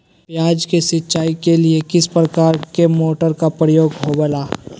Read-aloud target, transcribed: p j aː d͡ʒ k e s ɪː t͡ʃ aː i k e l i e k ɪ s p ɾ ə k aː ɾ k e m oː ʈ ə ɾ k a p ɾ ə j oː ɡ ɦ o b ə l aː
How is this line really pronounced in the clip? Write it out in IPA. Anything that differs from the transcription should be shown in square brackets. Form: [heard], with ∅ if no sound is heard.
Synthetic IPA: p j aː d͡ʒ k e s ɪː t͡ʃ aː i k e l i e k ɪ s p ɾ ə k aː ɾ k e m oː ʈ ə ɾ k a p ɾ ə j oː ɡ ɦ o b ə l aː